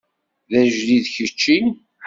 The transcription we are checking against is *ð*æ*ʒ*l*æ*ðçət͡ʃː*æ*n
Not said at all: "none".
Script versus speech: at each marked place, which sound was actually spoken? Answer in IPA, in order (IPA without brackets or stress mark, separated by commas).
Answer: ð, ʒ, i, i